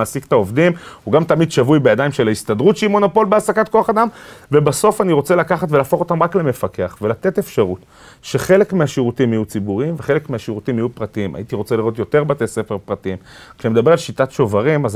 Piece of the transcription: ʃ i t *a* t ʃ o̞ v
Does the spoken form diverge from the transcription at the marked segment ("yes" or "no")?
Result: no